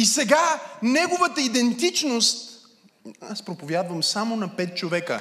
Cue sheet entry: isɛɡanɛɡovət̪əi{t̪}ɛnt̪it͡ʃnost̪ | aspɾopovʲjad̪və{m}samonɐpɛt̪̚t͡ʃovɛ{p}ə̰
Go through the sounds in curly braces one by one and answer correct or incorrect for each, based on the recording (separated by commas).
incorrect, correct, incorrect